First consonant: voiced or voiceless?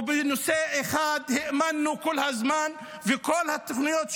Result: voiced